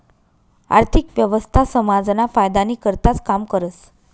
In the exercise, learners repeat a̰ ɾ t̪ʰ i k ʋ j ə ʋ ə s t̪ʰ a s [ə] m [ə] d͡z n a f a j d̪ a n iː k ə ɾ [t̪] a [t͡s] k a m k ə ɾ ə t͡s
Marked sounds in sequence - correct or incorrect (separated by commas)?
correct, incorrect, correct, correct